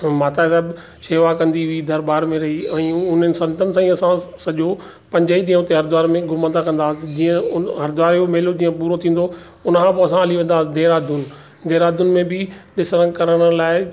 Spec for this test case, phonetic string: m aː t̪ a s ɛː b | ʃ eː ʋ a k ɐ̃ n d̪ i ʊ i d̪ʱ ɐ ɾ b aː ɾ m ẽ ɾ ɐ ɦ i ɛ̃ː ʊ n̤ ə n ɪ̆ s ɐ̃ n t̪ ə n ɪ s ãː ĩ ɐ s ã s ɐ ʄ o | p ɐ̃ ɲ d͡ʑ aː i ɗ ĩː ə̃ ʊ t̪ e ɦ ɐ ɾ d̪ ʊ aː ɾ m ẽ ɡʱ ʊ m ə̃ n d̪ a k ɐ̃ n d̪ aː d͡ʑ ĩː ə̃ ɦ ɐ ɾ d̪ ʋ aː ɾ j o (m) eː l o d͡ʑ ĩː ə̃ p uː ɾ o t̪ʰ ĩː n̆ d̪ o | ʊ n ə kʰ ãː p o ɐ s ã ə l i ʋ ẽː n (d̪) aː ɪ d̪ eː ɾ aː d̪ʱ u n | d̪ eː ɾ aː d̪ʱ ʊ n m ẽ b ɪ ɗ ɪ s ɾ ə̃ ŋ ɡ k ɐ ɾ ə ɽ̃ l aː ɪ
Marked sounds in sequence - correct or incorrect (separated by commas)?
correct, correct